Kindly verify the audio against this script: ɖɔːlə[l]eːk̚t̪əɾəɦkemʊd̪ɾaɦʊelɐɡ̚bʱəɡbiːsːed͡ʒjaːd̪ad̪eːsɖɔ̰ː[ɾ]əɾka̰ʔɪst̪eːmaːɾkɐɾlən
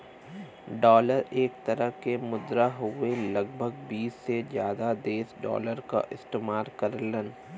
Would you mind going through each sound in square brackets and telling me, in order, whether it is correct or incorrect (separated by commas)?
incorrect, incorrect